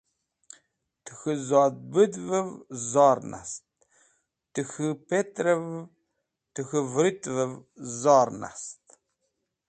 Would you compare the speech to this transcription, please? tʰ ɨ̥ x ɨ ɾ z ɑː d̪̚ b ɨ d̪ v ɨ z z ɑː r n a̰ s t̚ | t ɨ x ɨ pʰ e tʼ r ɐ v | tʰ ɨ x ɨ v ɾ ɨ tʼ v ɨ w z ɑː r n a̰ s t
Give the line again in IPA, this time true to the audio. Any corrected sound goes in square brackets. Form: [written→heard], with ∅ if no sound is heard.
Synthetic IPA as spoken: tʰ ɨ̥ x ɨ [ɾ→∅] z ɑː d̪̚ b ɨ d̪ v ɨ [z→v] z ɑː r n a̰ s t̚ | t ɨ x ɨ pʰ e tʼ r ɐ v | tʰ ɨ x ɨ v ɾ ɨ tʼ v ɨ [w→v] z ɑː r n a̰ s t